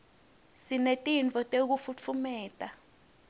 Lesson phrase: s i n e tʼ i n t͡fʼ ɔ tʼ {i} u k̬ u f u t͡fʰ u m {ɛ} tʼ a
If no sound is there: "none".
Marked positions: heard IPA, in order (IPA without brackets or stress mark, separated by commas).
e, ɛː